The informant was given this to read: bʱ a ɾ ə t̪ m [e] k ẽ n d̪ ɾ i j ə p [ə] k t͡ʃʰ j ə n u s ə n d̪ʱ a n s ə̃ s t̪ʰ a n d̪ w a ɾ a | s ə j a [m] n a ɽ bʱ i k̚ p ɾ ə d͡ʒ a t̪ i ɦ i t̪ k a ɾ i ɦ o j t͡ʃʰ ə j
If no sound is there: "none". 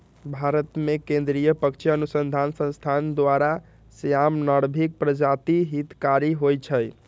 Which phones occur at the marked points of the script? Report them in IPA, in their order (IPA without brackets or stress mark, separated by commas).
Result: e, ə, m